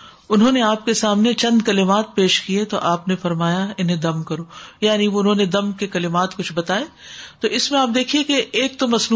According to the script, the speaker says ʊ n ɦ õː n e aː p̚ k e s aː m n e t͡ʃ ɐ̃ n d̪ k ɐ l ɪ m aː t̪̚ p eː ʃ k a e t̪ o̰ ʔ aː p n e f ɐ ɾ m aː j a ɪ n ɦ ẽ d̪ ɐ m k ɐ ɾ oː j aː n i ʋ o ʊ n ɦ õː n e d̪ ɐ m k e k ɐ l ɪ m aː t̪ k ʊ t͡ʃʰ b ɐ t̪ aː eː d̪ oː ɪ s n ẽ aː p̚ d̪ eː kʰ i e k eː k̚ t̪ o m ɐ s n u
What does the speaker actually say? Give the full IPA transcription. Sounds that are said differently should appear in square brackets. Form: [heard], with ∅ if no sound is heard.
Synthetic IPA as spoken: ʊ n ɦ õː n e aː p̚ k e s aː m n e t͡ʃ ɐ̃ n d̪ k ɐ l ɪ m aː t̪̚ p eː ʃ k [i] e t̪ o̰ ʔ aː p n e f ɐ ɾ m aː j a ɪ n ɦ ẽ d̪ ɐ m k ɐ ɾ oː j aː n i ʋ o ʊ n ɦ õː n e d̪ ɐ m k e k ɐ l ɪ m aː t̪ k ʊ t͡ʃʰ b ɐ t̪ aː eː [t̪] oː ɪ s [m] ẽ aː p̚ d̪ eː kʰ i e k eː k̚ t̪ o m ɐ s n u